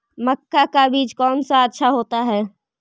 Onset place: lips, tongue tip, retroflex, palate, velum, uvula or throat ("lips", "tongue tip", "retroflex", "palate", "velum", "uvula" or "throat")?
lips